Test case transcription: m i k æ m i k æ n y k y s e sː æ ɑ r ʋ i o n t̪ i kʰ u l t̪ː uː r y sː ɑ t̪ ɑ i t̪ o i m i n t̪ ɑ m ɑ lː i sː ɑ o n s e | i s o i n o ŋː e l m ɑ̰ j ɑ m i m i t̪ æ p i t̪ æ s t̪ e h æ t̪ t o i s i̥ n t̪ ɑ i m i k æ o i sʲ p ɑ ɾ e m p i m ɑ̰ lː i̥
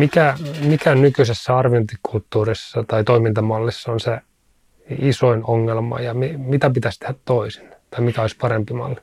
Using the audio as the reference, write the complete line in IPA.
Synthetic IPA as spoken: m i k æ m i k æ n y k y s e sː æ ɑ r ʋ i o n t̪ i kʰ u l t̪ː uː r i sː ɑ t̪ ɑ i t̪ o i m i n t̪ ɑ m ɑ lː i sː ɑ o n s e | i s o i n o ŋː e l m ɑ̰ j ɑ m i m i t̪ æ p i t̪ æ s t̪ e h æ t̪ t o i s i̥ n t̪ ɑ i m i k æ o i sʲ p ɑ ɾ e m p i m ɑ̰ lː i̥